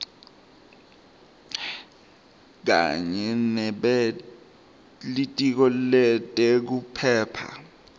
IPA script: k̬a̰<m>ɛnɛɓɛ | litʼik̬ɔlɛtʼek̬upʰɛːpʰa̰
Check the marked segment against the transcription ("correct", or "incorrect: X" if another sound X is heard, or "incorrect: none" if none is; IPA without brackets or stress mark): incorrect: ɲ